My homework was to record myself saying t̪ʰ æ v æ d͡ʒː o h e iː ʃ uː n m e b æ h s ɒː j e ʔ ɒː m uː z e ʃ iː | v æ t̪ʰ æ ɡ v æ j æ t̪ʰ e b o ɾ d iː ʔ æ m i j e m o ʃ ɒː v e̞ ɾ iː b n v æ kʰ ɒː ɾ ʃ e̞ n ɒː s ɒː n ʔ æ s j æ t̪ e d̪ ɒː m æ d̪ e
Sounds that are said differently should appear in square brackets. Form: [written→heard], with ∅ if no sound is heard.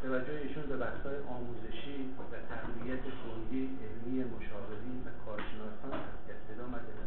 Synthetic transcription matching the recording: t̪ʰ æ v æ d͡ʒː o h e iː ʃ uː n [m→b] e b æ h s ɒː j e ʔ ɒː m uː z e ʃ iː | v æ t̪ʰ æ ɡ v [æ→i] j æ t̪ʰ e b o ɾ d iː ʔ [æ→e] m i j e m o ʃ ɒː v e̞ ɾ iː [b→∅] n v æ kʰ ɒː ɾ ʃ e̞ n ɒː s ɒː n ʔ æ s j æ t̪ e d̪ ɒː m æ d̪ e